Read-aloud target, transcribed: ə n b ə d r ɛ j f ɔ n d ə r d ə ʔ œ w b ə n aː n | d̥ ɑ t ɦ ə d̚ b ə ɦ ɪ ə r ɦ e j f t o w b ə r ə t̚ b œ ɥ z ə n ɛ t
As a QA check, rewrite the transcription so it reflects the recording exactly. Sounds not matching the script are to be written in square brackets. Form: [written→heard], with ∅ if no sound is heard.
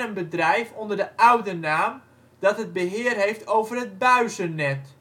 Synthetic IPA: ə n b ə d r ɛ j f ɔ n d ə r d ə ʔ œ w [b→d] ə n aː [n→m] | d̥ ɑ t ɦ ə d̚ b ə ɦ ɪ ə r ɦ e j f t o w [b→v] ə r ə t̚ b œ ɥ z ə n ɛ t

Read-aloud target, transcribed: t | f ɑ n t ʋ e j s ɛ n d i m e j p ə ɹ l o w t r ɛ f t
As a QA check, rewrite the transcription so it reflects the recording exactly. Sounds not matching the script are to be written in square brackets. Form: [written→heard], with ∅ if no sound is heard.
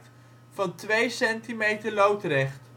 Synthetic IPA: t | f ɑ n t ʋ e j s ɛ n [d→t] i m e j [p→t] ə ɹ l o w t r ɛ [f→χ] t

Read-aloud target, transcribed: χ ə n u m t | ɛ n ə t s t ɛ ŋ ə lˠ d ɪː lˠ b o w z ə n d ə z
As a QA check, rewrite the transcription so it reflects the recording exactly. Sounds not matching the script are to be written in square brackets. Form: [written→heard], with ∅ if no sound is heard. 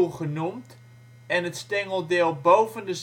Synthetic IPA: χ ə n u m t | ɛ n ə t s t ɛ ŋ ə lˠ d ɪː lˠ b o w [z→v] ə n d ə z

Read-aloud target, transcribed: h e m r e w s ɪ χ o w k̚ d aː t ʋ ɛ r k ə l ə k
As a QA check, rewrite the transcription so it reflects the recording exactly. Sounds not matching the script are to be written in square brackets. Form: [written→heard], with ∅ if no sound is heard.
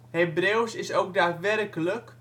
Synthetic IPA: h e [m→b] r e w s ɪ [χ→s] o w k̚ d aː t ʋ ɛ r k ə l ə k

